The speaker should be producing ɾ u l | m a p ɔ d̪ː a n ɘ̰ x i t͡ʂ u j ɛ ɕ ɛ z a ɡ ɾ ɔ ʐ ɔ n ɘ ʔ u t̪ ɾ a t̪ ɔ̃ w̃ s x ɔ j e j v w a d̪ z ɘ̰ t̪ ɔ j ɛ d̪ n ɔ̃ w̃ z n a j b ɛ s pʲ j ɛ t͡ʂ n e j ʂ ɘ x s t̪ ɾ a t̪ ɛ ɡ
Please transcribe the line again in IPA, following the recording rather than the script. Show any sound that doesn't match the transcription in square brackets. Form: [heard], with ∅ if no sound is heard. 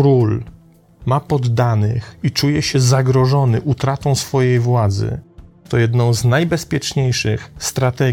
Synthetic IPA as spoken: ɾ u l | m a p ɔ d̪ː a n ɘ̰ x i t͡ʂ u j ɛ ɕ ɛ z a ɡ ɾ ɔ ʐ ɔ n ɘ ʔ u t̪ ɾ a t̪ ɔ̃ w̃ s [f] ɔ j e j v w a d̪ z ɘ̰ t̪ ɔ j ɛ d̪ n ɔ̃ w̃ z n a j b ɛ s pʲ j ɛ t͡ʂ [ɲ] e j ʂ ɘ x s t̪ ɾ a t̪ ɛ ɡ